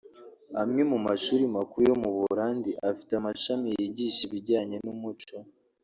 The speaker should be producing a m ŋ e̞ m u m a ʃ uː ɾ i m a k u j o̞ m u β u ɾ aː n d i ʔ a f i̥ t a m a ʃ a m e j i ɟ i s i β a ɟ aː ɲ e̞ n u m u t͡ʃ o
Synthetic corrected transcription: a m ŋ e̞ m u m a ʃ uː ɾ i m a k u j o̞ m u β u ɾ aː n d i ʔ a f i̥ t a m a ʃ a m i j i ɟ i ʃ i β i ɟ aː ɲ e̞ n u m u t͡ʃ o